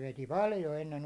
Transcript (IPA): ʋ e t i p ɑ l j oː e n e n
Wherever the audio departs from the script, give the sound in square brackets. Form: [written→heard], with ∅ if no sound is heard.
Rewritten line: ʋ e t i p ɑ l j [oː→o] e [n→nː] e n

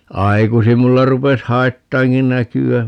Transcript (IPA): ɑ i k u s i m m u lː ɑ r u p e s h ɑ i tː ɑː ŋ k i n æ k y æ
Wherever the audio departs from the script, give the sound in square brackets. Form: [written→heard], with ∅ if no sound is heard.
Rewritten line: ɑ i k u s i m m u lː ɑ r u p e s h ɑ i tː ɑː ŋ k i n æ k y æ

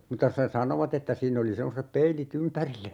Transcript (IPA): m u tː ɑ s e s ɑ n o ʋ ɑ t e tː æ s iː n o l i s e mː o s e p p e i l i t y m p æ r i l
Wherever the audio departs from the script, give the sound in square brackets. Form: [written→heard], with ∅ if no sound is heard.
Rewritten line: m u tː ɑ s e s ɑ n o ʋ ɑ t e tː æ s iː n o l i s e mː o s e p p e i l i t y m p æ r i [l→lː]

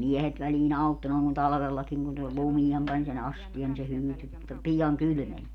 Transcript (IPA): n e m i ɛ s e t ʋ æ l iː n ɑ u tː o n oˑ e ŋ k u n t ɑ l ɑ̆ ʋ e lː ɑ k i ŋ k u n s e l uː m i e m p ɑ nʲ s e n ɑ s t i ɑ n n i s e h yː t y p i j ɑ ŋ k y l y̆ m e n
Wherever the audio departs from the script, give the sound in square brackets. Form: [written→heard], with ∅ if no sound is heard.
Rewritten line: n e m i ɛ [s→h] e t ʋ æ l iː n ɑ u tː o n oˑ e ŋ k u n t ɑ l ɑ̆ ʋ e lː ɑ k i ŋ k u n s e l [uː→u] m i e m p ɑ nʲ s e n ɑ s t i ɑ n n i s e h yː t y p i j ɑ ŋ k y l y̆ m e n

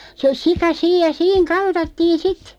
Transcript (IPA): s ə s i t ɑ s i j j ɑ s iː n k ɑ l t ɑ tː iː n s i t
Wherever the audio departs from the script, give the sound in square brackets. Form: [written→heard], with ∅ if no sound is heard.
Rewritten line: s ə s i [t→k] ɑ s [i→iː] j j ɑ s iː [n→ŋ] k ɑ l t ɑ tː iː n s i t

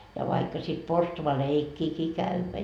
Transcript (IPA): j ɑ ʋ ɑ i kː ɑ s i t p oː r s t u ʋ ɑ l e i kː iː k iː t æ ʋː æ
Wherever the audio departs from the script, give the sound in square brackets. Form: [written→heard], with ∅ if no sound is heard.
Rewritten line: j ɑ ʋ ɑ i kː ɑ s i t p [oː→o] r s t u ʋ ɑ l e i kː iː k iː [t→k] æ ʋː æ

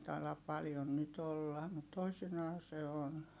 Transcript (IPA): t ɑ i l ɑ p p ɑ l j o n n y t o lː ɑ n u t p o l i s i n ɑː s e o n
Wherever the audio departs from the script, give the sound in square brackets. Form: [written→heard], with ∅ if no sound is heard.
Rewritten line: t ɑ i l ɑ p p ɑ l j o n n y t o lː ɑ [n→m] u t [p→t] o [l→∅] i s i n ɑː s e o n

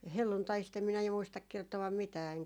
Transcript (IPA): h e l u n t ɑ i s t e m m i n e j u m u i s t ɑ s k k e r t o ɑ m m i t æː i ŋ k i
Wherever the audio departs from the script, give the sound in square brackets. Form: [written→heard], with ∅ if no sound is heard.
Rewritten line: h e [l→lː] u n t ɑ i s t e m m i n [e→æ] j u m u i s t ɑ [s→∅] k k e r t o ɑ m m i t æː [i→e] ŋ k [i→æ]

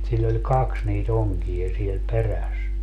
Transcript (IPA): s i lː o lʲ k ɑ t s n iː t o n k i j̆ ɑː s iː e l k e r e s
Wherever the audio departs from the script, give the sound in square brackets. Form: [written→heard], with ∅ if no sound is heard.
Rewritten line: s i lː o lʲ k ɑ [t→k] s n iː t o [n→ŋ] k i j̆ [ɑː→ɑ] s [iː→i] e l [k→p] e r [e→æ] s

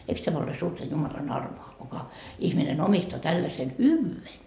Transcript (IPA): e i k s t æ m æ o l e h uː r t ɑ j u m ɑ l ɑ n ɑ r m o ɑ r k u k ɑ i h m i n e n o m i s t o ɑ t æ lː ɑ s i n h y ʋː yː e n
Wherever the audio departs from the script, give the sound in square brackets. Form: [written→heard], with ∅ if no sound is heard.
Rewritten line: e i k s t æ m æ o l e [h→s] uː r t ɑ j u m ɑ l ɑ n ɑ r m o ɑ [r→∅] k u k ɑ i h m i n e n o m i s t o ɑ t æ lː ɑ s [i→e] n h y ʋː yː e n

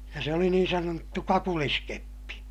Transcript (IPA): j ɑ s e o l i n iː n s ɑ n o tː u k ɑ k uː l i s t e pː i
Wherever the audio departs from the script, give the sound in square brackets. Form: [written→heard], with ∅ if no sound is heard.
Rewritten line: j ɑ s e o l i n iː n s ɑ n o tː u k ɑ k [uː→u] l i s [t→k] e pː i

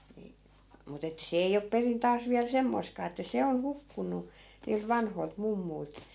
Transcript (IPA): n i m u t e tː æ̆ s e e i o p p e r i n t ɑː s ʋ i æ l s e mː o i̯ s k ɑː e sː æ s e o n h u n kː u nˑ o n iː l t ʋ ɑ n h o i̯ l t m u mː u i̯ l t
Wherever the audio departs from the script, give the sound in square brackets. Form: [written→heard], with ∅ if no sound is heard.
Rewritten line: n i m u t e tː æ̆ s e e i o p p e r i n t ɑː s ʋ i æ l s e mː o i̯ s k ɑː e [sː→tː] æ s e o n h u [n→∅] kː u nˑ [o→u] n iː l t ʋ ɑ n h o i̯ l t m u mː u i̯ l t

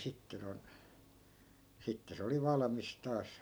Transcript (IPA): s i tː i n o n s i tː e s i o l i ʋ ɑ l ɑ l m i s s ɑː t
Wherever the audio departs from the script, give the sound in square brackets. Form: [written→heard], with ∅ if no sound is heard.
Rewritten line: s i tː [i→e] n o n s i tː e s [i→e] o l i ʋ ɑ l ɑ [l→∅] m i s [s→t] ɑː [t→s]

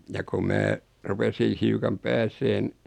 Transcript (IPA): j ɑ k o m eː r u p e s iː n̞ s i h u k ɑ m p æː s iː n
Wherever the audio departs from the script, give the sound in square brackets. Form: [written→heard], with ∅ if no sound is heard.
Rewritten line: j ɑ k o m [eː→æː] r u p e s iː n̞ [s→h] i [h→∅] u k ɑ m p æː s [iː→eː] n

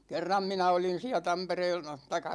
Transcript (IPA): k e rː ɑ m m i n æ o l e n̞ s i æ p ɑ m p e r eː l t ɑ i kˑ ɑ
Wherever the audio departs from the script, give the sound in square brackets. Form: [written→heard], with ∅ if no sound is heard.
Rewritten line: k e rː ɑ m m i n æ o l [e→i] n̞ s i æ [p→t] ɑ m p e r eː l t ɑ i kˑ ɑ

